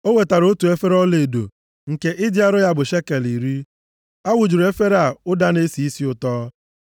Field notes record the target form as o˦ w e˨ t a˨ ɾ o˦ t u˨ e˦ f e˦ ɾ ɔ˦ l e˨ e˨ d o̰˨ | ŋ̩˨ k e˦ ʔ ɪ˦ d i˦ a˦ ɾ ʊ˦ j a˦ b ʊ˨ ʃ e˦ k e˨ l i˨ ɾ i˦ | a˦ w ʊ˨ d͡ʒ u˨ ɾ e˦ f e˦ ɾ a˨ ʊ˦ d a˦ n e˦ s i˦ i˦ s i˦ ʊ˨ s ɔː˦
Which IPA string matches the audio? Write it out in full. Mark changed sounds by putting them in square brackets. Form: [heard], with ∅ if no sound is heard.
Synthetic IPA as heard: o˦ w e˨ t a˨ ɾ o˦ t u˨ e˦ f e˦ ɾ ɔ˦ l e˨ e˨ d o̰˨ | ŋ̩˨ k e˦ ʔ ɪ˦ d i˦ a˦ ɾ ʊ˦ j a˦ b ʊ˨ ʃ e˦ k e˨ l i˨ ɾ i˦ | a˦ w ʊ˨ d͡ʒ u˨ ɾ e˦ f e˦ ɾ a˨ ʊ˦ d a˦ n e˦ s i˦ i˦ s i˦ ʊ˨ [t] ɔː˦